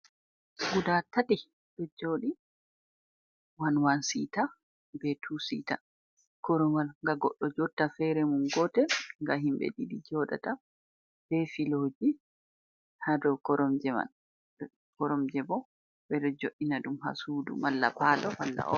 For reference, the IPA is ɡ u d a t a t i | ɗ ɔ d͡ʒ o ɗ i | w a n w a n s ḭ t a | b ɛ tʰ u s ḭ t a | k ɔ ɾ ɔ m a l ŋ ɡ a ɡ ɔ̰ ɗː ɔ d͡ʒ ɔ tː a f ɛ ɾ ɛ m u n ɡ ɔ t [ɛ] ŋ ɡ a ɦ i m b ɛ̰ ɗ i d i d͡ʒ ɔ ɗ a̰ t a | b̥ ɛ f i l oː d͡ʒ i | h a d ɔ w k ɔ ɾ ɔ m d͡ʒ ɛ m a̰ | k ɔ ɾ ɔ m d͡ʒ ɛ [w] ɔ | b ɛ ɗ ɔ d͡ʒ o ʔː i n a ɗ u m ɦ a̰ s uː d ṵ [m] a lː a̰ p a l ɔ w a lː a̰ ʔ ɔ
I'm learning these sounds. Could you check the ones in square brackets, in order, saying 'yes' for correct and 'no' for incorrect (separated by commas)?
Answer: yes, no, yes